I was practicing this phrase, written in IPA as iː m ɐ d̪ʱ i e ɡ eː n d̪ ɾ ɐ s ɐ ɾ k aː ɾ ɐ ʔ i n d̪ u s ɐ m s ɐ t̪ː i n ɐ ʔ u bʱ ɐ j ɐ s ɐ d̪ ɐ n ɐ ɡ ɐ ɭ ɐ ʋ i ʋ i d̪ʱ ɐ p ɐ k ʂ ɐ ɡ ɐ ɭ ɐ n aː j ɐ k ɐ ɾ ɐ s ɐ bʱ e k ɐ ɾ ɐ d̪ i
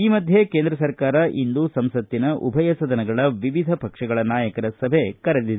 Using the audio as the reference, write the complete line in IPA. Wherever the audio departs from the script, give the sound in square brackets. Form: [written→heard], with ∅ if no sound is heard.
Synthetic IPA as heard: iː m ɐ d̪ʱ [i→j] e [ɡ→k] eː n d̪ ɾ ɐ s ɐ ɾ k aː ɾ ɐ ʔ i n d̪ u s ɐ m s ɐ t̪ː i n ɐ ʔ u bʱ ɐ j ɐ s ɐ d̪ ɐ n ɐ ɡ ɐ ɭ ɐ ʋ i ʋ i d̪ʱ ɐ p ɐ k ʂ ɐ ɡ ɐ ɭ ɐ n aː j ɐ k ɐ ɾ ɐ s ɐ bʱ e k ɐ ɾ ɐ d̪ i

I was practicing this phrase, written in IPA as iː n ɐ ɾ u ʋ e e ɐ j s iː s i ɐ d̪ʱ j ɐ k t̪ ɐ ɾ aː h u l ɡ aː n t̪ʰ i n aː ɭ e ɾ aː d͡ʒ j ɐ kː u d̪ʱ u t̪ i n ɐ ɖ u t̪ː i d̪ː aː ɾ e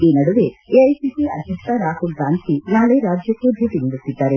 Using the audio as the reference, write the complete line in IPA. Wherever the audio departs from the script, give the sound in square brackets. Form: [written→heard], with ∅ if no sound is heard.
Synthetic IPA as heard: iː n ɐ [ɾ→ɽ] u ʋ e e ɐ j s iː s i ɐ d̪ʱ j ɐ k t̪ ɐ ɾ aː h u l ɡ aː n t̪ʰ i n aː ɭ e ɾ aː d͡ʒ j ɐ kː u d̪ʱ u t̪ i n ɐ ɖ u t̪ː i d̪ː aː ɾ e

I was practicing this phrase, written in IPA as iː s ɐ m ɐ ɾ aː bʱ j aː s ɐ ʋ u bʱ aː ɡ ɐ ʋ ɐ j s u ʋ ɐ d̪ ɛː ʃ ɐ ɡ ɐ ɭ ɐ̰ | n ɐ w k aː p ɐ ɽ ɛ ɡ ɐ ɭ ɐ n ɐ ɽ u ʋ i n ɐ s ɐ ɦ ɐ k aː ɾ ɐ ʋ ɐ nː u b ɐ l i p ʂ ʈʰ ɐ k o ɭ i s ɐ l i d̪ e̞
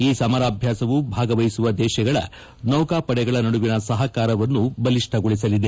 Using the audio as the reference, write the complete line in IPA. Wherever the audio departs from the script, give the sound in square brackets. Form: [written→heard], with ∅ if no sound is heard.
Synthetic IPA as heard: iː s ɐ m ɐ ɾ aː bʱ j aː s ɐ ʋ u bʱ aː ɡ ɐ ʋ ɐ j s u ʋ ɐ d̪ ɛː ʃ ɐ ɡ ɐ ɭ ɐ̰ | n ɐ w k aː p ɐ ɽ ɛ ɡ ɐ ɭ ɐ n ɐ ɽ u ʋ i n ɐ s ɐ ɦ ɐ k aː ɾ ɐ ʋ ɐ nː u b ɐ l i [p→∅] ʂ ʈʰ ɐ [k→ɡ] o ɭ i s ɐ l i d̪ e̞

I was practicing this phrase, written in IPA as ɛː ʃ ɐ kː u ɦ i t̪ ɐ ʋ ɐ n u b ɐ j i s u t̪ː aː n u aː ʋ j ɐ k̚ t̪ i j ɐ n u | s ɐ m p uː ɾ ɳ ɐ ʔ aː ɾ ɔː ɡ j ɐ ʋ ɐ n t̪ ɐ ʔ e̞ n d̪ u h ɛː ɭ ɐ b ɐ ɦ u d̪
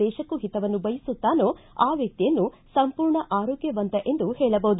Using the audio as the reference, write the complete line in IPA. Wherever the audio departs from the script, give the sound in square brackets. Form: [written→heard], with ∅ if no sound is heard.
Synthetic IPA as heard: ɛː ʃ ɐ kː u ɦ i t̪ ɐ ʋ ɐ [n→nː] u b ɐ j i s u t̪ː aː n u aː ʋ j ɐ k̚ t̪ i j ɐ [n→nː] u | s ɐ m p uː ɾ ɳ ɐ ʔ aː ɾ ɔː ɡ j ɐ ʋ ɐ n t̪ ɐ ʔ e̞ n d̪ u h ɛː ɭ ɐ b ɐ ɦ u d̪

